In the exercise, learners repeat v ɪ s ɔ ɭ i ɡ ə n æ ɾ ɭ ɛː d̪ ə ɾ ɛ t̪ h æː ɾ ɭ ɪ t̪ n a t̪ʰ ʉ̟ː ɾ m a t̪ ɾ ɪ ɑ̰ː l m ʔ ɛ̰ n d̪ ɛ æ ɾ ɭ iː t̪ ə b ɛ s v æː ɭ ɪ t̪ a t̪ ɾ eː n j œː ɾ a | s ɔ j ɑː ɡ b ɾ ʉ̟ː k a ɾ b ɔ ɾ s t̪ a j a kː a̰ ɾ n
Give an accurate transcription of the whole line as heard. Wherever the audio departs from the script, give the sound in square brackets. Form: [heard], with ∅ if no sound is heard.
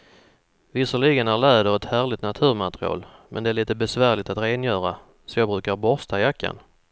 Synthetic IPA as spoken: v ɪ s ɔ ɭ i ɡ ə n æ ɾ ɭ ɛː d̪ ə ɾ ɛ t̪ h æː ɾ ɭ ɪ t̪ n a t̪ʰ ʉ̟ː ɾ m a t̪ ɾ ɪ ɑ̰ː l m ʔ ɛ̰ n d̪ ɛ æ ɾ ɭ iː t̪ ə b ɛ s v æː ɭ ɪ t̪ a t̪ ɾ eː n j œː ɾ a | s ɔ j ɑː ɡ b ɾ ʉ̟ː k a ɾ b ɔ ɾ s t̪ a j a kː a̰ [∅] n